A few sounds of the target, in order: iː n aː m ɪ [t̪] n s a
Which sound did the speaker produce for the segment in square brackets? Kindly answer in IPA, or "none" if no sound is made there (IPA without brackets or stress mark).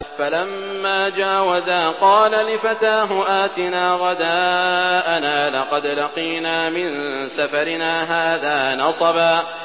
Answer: none